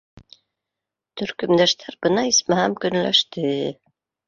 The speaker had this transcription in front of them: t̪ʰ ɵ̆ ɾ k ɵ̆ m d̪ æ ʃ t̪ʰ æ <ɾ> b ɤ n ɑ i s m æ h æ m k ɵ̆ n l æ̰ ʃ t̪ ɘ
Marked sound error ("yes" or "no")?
no